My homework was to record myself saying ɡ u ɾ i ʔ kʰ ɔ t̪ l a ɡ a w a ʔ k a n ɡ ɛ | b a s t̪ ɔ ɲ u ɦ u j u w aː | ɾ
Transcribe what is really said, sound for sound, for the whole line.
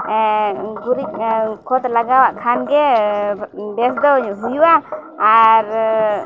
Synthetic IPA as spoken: ɡ u ɾ i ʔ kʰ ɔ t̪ l a ɡ a w a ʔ kʰ a n ɡ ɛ | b ɛ s d̪ ɔ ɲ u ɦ u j u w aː | ɾ